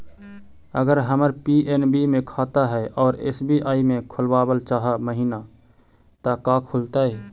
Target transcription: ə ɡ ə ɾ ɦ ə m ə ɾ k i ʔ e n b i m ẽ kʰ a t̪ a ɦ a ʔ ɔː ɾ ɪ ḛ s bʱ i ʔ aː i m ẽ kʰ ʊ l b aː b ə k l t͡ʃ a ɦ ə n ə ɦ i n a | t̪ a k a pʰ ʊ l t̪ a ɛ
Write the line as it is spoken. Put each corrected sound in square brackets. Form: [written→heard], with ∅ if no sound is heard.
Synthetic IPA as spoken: ə ɡ ə ɾ ɦ ə m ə ɾ [k→p] i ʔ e n b i m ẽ kʰ a t̪ a ɦ [a→ɛ] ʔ ɔː ɾ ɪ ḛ s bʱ i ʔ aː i m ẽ kʰ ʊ l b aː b ə [k→∅] l t͡ʃ a ɦ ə [n→m] ə ɦ i n a | t̪ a k a [pʰ→kʰ] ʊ l t̪ a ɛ